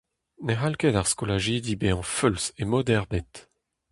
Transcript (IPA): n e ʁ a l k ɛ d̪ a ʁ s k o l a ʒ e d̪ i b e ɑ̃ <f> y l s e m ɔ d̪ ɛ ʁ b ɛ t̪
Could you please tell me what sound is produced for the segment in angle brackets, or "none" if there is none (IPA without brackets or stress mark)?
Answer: f